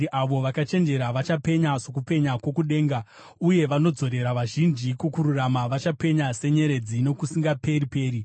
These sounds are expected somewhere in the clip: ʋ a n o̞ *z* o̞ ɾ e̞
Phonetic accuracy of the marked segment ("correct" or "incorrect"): incorrect